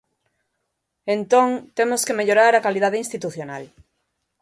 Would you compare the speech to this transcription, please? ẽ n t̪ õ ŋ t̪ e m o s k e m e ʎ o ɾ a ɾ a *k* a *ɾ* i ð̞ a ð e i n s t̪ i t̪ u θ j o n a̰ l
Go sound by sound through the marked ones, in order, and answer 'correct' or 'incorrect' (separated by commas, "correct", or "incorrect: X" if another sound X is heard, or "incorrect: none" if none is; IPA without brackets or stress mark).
correct, incorrect: l